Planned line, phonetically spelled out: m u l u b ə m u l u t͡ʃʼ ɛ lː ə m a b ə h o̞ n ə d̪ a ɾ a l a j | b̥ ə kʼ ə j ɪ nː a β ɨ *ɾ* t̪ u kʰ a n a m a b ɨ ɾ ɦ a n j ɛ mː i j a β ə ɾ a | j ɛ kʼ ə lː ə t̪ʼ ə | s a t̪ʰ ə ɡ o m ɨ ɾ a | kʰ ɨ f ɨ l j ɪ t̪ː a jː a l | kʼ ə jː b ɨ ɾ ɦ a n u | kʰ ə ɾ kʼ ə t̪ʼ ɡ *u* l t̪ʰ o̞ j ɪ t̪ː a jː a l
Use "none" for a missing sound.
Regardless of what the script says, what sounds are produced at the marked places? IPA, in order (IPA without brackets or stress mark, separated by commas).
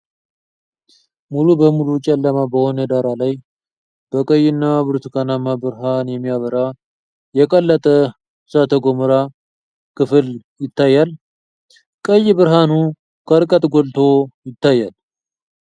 ɾ, o